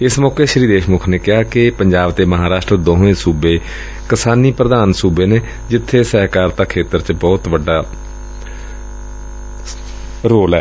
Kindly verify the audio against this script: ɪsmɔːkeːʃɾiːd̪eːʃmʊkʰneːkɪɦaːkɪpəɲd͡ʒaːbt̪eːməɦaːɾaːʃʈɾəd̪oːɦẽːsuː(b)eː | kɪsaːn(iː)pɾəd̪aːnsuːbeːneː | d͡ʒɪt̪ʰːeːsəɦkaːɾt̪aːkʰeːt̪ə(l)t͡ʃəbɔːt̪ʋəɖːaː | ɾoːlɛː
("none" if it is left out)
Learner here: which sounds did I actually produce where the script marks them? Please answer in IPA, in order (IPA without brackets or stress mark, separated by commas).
b, iː, ɾ